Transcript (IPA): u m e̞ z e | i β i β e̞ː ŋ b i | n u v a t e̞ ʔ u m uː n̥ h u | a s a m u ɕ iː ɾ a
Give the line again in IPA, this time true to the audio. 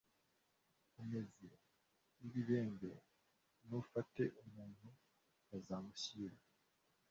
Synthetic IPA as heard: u m e̞ z e | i β i β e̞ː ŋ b e | n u f a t e̞ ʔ u m uː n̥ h u | a z a m u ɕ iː ɾ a